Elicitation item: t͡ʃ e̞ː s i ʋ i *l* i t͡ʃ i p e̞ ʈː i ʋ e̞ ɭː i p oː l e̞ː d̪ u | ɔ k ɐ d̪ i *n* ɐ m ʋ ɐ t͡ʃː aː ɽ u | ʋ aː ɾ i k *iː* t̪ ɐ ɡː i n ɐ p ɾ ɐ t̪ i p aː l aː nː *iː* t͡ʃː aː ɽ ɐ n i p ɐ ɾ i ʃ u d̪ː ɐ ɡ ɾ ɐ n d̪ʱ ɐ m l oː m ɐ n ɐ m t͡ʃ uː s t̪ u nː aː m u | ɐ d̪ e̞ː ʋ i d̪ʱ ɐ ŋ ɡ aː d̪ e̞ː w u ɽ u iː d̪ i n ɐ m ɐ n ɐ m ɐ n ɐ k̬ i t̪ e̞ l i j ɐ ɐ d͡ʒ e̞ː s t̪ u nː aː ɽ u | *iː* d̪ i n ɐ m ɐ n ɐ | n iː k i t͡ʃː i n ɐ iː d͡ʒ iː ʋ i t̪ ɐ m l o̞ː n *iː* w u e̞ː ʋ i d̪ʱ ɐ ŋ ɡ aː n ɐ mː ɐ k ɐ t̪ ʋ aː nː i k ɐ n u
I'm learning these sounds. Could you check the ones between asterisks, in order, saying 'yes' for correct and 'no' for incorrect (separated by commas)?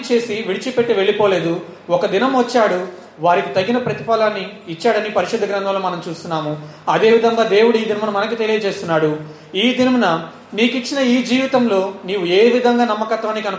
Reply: no, yes, no, yes, yes, yes